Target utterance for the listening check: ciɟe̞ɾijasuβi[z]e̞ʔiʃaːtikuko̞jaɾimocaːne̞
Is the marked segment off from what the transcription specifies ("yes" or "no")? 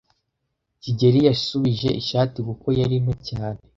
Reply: yes